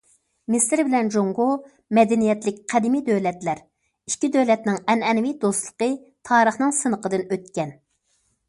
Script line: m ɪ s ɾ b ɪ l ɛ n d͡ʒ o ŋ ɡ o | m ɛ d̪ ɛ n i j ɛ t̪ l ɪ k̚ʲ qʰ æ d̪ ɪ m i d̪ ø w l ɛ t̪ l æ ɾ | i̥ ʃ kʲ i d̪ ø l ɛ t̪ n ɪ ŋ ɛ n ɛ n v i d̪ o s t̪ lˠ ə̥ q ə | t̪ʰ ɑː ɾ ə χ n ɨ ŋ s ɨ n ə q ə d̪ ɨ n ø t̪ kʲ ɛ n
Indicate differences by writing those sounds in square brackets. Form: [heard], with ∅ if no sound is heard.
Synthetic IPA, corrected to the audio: m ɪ s ɾ b ɪ l ɛ n d͡ʒ o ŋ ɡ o | m ɛ d̪ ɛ n i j ɛ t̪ l ɪ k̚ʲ qʰ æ d̪ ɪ m i d̪ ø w l ɛ t̪ l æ ɾ | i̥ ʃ kʲ i d̪ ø l ɛ t̪ n ɪ ŋ ɛ n ɛ n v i d̪ o s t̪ lˠ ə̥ q ə | t̪ʰ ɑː ɾ ə χ n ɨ ŋ s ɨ n ə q ə d̪ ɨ n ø t̪ kʲ ɛ n

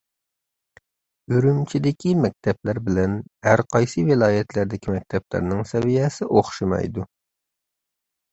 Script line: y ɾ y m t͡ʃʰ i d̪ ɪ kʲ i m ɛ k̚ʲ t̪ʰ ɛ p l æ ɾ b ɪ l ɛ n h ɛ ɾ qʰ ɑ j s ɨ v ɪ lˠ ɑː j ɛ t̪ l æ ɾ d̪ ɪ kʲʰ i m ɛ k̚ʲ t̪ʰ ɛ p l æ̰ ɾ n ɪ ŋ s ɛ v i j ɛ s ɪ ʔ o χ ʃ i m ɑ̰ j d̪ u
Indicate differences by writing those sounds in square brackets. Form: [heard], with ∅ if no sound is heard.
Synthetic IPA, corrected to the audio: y ɾ y m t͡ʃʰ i d̪ ɪ kʲ i m ɛ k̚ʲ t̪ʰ ɛ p l æ ɾ b ɪ l ɛ n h [æ] ɾ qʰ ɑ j s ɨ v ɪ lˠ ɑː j ɛ t̪ l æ ɾ d̪ ɪ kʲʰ i m ɛ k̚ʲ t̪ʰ ɛ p l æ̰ ɾ n ɪ ŋ s ɛ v i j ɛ s ɪ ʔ o χ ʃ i m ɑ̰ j d̪ u

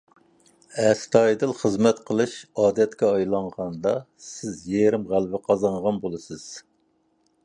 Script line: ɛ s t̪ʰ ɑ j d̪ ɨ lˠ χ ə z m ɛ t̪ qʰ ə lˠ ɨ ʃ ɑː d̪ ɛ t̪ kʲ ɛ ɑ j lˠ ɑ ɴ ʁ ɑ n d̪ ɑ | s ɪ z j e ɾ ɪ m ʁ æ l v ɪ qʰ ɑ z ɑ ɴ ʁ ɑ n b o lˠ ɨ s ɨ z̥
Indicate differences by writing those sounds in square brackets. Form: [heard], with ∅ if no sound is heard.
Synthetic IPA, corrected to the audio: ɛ s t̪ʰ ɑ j d̪ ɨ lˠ χ ə z m ɛ t̪ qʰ ə lˠ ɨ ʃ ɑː d̪ ɛ t̪ kʲ ɛ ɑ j lˠ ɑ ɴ ʁ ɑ n d̪ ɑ | s ɪ z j e ɾ ɪ m ʁ æ l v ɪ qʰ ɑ z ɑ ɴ ʁ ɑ n b o lˠ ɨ s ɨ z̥

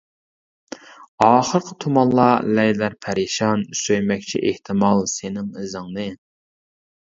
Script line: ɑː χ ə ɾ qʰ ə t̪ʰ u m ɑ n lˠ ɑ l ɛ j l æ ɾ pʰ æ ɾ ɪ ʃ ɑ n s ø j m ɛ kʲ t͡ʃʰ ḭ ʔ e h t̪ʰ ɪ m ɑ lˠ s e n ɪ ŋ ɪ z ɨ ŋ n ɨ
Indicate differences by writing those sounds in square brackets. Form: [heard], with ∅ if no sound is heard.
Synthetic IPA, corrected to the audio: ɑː χ ə ɾ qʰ ə t̪ʰ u m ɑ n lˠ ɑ l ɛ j l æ ɾ pʰ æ ɾ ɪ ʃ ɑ n s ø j m ɛ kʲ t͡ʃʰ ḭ ʔ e h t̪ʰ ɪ m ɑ lˠ s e n ɪ ŋ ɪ z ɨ ŋ n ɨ

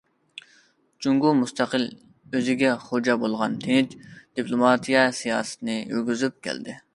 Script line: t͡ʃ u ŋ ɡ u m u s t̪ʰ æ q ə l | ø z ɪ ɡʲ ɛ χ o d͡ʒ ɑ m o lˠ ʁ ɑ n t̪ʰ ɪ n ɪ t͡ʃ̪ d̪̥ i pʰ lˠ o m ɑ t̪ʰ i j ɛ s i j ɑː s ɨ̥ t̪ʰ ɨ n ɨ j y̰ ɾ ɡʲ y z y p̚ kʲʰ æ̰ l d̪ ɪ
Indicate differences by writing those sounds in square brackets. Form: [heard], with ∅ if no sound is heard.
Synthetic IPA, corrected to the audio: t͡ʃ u ŋ ɡ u m u s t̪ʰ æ q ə l | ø z ɪ ɡʲ ɛ χ o d͡ʒ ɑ [b] o lˠ ʁ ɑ n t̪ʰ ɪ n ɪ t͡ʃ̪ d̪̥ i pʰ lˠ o m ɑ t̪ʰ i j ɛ s i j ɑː s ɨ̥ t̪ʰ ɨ n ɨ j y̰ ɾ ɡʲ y z y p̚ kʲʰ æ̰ l d̪ ɪ

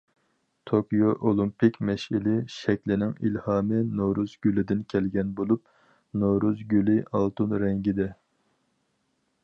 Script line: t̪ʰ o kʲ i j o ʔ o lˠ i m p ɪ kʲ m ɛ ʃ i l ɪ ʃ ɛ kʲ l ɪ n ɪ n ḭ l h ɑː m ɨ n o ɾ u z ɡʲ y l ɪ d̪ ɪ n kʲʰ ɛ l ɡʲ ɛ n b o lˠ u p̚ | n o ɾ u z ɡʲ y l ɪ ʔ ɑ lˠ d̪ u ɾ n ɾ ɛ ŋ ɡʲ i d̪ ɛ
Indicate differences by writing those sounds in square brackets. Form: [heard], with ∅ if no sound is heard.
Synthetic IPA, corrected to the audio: t̪ʰ o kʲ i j o ʔ o lˠ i m p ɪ kʲ m ɛ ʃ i l ɪ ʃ ɛ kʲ l ɪ n ɪ [ŋ] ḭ l h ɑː m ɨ n o ɾ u z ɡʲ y l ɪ d̪ ɪ n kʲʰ ɛ l ɡʲ ɛ n b o lˠ u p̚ | n o ɾ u z ɡʲ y l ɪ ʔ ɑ lˠ [t̪] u [∅] n ɾ ɛ ŋ ɡʲ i d̪ ɛ

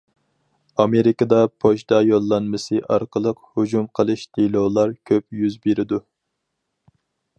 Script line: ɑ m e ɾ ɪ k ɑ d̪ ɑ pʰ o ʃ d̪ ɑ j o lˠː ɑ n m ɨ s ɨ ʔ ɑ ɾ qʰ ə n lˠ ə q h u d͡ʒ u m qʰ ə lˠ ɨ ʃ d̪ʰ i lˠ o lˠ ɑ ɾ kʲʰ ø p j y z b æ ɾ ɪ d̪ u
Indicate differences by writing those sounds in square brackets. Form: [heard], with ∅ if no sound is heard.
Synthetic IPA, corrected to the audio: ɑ m e ɾ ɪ k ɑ d̪ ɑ pʰ o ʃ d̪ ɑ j o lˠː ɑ n m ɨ s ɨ ʔ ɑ ɾ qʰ ə [∅] lˠ ə q h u d͡ʒ u m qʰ ə lˠ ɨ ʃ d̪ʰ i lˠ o lˠ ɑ ɾ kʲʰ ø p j y z b [e] ɾ ɪ d̪ u

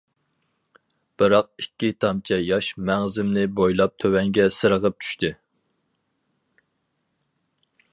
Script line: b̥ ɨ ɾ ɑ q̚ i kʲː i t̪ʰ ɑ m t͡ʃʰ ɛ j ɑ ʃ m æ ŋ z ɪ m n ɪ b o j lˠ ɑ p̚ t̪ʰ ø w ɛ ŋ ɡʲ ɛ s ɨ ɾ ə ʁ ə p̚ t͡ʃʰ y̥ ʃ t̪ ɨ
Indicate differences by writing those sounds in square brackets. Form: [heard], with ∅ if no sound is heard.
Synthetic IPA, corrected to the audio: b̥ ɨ ɾ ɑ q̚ i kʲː i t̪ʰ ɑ m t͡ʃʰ ɛ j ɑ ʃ m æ ŋ z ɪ m n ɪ b o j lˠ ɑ p̚ t̪ʰ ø w ɛ ŋ ɡʲ ɛ s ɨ ɾ ə ʁ ə p̚ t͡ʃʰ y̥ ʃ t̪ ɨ

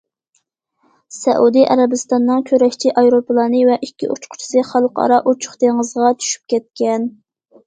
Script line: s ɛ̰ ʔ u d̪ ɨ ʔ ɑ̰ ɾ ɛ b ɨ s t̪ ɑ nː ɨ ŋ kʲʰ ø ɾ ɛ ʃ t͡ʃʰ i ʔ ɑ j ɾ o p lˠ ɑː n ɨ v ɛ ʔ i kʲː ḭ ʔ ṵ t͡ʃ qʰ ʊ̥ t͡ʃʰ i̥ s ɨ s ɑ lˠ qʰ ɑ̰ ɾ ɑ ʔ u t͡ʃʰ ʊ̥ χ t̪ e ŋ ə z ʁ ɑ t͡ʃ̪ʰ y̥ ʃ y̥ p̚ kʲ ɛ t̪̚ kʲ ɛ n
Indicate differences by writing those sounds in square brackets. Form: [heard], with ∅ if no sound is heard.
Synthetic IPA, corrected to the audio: s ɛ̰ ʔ u d̪ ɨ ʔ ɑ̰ ɾ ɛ b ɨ s t̪ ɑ nː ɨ ŋ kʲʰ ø ɾ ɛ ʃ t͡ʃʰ i ʔ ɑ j ɾ o p lˠ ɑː n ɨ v ɛ ʔ i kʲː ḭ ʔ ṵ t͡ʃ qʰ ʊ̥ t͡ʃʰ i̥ s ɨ [χ] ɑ lˠ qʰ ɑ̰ ɾ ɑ ʔ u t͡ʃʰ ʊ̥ χ t̪ e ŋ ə z ʁ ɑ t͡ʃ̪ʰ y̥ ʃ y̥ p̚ kʲ ɛ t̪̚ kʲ ɛ n

